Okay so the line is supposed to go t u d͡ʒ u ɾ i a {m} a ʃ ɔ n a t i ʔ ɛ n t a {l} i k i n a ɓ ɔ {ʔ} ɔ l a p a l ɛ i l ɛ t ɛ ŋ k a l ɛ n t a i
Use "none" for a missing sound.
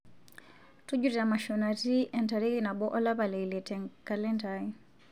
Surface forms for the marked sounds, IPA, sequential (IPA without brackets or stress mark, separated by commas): m, ɾ, ʔ